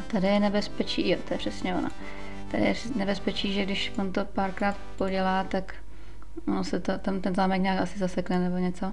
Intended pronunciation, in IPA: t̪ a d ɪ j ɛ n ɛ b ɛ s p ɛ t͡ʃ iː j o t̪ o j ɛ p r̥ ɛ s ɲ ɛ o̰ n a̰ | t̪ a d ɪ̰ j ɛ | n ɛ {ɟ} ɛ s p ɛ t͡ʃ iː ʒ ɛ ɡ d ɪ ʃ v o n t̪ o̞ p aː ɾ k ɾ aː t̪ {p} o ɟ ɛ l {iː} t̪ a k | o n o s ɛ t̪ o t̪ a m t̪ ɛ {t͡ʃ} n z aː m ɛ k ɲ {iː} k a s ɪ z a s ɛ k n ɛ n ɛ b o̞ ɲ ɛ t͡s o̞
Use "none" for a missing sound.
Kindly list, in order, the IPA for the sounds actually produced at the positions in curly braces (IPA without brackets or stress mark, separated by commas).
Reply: b, p, aː, none, aː